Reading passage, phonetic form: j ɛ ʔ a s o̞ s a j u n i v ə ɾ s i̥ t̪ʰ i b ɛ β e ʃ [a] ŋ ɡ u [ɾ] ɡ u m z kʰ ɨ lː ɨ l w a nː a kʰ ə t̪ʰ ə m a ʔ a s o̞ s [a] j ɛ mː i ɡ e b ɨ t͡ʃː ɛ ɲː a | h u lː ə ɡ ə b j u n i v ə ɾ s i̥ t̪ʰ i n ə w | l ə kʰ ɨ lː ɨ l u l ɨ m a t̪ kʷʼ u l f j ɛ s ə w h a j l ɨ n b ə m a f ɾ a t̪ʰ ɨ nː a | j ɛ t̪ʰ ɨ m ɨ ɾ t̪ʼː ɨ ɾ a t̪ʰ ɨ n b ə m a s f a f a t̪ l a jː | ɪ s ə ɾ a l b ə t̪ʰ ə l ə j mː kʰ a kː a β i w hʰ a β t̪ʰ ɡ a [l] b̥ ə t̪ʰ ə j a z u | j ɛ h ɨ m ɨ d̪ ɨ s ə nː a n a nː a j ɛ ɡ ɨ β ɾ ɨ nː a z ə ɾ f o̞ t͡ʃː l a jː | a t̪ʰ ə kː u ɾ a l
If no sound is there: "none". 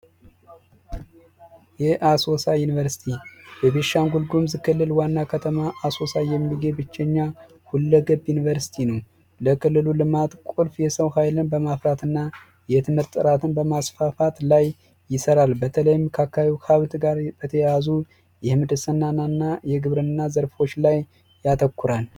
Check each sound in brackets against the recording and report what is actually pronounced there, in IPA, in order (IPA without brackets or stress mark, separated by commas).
a, l, a, ɾ